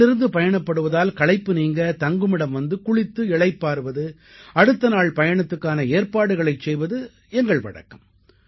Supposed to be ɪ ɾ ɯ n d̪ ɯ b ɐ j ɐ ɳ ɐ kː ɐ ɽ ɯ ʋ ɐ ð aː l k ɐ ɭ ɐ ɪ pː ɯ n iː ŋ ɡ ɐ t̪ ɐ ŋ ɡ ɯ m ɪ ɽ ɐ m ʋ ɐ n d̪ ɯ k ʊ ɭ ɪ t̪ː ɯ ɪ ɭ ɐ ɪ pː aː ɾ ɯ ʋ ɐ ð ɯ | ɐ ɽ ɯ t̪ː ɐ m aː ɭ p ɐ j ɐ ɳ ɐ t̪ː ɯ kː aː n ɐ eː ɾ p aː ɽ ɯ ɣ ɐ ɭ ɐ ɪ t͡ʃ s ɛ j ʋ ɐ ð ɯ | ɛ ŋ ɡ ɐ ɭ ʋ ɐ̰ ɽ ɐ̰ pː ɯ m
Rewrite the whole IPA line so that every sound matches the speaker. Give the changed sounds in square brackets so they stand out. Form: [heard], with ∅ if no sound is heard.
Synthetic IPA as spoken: ɪ ɾ ɯ n d̪ ɯ [p] ɐ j ɐ ɳ ɐ [pː] ɐ ɽ ɯ ʋ ɐ ð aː l k ɐ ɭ ɐ ɪ pː ɯ n iː ŋ ɡ ɐ t̪ ɐ ŋ ɡ ɯ m ɪ ɽ ɐ m ʋ ɐ n d̪ ɯ k ʊ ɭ ɪ t̪ː ɯ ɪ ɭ ɐ ɪ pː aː ɾ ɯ ʋ ɐ ð ɯ | ɐ ɽ ɯ t̪ː ɐ [n] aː ɭ p ɐ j ɐ ɳ ɐ t̪ː ɯ kː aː n ɐ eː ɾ p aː ɽ ɯ ɣ ɐ ɭ ɐ ɪ t͡ʃ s ɛ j ʋ ɐ ð ɯ | ɛ ŋ ɡ ɐ ɭ ʋ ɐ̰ ɽ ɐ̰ [kː] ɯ m